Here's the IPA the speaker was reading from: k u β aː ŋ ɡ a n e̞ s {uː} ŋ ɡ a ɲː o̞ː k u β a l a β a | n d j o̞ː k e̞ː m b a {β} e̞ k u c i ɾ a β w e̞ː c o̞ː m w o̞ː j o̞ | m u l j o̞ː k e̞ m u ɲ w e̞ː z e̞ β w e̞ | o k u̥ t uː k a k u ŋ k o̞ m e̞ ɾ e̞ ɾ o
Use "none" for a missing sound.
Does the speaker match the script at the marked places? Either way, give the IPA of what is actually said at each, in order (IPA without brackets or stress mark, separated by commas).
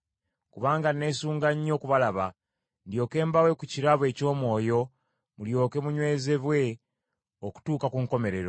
uː, w